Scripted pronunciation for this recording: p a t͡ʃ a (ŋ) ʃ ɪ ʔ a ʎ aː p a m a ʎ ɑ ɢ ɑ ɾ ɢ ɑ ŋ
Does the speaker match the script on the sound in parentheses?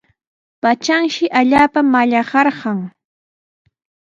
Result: yes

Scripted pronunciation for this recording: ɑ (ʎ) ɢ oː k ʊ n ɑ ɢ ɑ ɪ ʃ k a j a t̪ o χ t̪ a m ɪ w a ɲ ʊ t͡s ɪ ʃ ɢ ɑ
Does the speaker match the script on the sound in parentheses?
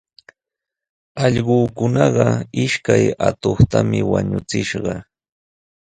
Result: yes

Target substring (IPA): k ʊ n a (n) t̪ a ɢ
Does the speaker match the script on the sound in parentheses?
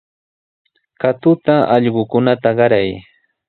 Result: no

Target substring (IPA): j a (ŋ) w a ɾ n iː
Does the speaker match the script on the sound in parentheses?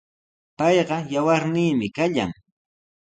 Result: no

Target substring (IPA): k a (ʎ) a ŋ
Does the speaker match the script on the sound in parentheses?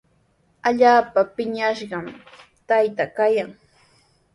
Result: no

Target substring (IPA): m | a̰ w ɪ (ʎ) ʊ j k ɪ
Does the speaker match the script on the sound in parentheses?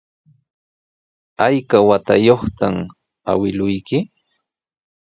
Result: no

